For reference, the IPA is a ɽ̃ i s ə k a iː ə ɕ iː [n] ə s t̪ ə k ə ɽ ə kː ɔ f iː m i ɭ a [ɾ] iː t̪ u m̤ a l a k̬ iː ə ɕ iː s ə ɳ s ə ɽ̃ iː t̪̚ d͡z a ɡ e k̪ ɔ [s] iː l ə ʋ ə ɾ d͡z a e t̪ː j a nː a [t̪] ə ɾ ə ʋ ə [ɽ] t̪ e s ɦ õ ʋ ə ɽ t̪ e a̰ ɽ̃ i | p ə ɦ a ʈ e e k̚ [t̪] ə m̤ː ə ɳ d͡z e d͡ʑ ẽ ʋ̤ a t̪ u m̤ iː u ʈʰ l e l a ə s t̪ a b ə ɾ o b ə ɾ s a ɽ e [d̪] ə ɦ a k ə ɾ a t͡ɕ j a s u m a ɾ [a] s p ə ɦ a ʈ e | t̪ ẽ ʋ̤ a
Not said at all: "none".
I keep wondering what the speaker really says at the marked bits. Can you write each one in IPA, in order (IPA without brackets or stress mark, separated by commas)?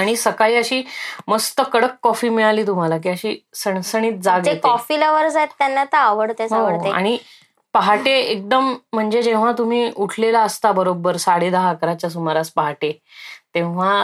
m, l, f, t̪, ɽ, d̪, d̪, a